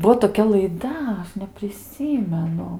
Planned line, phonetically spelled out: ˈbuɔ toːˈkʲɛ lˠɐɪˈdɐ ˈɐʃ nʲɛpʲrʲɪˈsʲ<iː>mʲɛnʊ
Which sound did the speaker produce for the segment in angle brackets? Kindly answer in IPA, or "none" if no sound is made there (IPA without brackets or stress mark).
iː